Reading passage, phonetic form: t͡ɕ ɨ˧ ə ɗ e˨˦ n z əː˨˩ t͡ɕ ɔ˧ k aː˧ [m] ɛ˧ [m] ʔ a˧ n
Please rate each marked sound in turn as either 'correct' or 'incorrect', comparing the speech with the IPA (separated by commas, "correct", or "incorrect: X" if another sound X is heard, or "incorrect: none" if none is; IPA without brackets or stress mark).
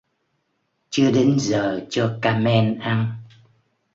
correct, incorrect: n